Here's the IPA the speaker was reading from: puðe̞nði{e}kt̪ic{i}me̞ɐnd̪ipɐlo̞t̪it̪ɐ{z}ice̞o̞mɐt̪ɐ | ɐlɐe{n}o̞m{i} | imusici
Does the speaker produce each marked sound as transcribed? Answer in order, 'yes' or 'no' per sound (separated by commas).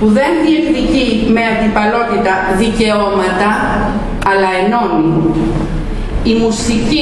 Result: yes, yes, no, yes, yes